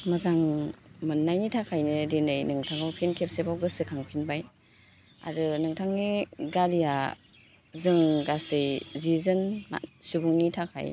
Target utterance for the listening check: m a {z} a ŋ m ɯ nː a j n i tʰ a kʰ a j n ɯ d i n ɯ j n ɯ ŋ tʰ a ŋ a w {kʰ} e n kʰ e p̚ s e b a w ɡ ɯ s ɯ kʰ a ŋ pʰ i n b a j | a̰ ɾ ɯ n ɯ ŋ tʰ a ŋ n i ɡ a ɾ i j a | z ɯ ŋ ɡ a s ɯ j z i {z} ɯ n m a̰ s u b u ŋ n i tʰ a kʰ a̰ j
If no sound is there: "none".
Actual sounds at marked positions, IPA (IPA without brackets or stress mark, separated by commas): z, pʰ, z